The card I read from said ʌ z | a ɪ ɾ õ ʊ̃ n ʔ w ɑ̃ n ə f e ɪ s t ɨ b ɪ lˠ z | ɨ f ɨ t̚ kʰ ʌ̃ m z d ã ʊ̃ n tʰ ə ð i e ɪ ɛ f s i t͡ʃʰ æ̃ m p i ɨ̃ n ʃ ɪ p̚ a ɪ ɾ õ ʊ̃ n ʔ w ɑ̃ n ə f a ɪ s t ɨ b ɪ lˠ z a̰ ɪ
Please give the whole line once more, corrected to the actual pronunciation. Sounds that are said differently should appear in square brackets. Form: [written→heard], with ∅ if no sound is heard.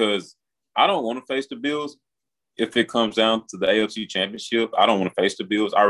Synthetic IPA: ʌ z | a ɪ ɾ õ ʊ̃ n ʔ w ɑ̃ n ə f e ɪ s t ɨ b ɪ lˠ z | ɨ f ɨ t̚ kʰ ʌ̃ m z d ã ʊ̃ n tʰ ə ð i e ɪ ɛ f s i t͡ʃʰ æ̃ m p i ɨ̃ n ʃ ɪ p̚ a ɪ ɾ õ ʊ̃ n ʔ w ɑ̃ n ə f [a→e] ɪ s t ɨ b ɪ lˠ z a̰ ɪ